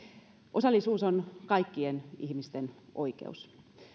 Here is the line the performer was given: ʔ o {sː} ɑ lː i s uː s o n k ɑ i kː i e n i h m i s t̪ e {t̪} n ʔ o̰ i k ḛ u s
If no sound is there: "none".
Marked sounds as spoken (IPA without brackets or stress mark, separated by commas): s, none